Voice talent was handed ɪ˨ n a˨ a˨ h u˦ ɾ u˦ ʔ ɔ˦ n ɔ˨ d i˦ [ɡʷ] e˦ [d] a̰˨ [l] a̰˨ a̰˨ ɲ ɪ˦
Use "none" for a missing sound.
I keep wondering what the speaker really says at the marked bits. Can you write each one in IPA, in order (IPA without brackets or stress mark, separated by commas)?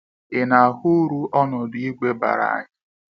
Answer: ɡʷ, b, ɾ